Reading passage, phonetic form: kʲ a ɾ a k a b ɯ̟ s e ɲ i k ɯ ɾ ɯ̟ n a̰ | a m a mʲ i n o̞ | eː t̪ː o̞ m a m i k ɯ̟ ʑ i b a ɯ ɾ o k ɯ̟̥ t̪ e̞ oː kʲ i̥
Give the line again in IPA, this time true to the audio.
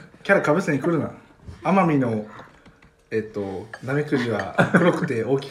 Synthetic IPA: kʲ a ɾ a k a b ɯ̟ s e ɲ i k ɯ ɾ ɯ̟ n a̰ | a m a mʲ i n o̞ | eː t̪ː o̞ n a m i k ɯ̟ ʑ i β a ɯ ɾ o k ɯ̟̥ t̪ e̞ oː kʲ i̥